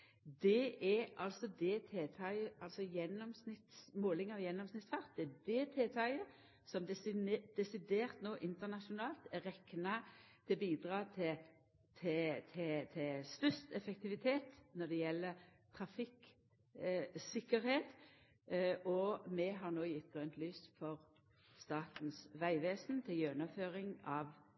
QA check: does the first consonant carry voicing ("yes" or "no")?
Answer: yes